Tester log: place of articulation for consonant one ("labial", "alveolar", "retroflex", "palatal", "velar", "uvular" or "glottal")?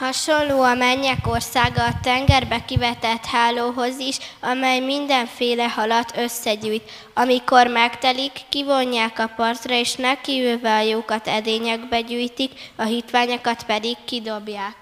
glottal